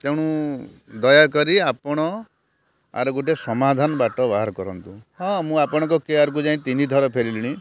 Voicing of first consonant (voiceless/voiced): voiceless